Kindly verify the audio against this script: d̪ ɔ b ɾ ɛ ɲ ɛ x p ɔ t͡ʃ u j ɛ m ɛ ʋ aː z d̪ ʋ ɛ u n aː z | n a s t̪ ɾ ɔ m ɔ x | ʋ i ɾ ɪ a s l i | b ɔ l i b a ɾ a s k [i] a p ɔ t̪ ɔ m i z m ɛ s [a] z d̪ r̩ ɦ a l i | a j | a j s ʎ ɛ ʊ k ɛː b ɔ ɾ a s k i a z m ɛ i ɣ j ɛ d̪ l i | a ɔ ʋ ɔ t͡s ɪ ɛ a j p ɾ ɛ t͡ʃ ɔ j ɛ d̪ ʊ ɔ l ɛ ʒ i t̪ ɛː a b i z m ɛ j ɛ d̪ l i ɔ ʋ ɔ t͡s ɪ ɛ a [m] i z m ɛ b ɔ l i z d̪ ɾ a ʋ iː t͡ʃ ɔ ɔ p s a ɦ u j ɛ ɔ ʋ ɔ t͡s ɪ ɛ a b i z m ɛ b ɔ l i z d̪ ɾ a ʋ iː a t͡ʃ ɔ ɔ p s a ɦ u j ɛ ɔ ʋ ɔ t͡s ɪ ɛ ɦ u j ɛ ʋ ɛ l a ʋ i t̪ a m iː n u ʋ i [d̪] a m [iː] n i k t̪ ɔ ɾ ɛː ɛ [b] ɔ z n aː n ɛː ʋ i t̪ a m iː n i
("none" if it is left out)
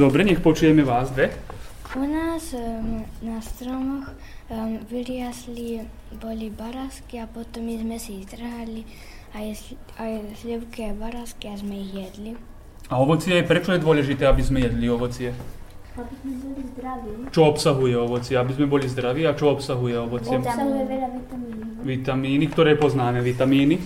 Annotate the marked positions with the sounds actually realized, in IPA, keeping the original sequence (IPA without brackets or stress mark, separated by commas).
i, i, b, t̪, iː, p